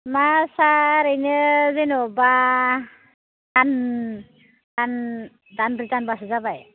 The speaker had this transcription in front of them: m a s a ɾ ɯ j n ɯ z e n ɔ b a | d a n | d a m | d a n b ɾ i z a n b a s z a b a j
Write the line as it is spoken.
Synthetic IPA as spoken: m a s a ɾ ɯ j n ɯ z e n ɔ b a | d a n | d a n | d a n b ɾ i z a n b a s z a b a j